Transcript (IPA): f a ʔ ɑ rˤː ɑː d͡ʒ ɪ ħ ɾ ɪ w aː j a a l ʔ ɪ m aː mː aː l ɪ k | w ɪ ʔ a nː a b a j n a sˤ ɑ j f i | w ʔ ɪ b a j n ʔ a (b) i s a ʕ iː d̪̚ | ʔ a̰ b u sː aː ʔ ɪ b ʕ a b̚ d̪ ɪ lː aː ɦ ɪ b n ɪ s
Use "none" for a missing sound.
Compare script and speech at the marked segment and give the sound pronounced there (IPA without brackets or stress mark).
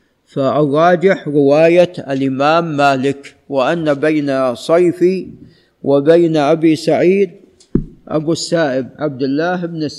b